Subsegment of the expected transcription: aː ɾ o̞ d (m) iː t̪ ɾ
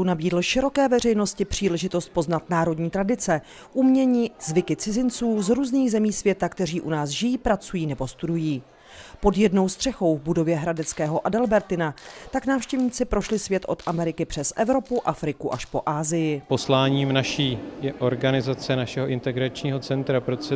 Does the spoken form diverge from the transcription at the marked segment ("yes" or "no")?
yes